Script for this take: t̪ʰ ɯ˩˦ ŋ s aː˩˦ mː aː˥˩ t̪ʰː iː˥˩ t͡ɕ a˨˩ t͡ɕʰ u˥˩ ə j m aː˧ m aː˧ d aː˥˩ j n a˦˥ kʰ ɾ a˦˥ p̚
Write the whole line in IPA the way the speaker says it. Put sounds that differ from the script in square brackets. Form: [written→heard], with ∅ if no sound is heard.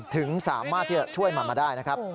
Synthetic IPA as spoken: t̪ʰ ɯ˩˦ ŋ s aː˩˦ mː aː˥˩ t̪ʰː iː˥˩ t͡ɕ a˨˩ t͡ɕʰ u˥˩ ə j m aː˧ m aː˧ d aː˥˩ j n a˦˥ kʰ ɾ a˦˥ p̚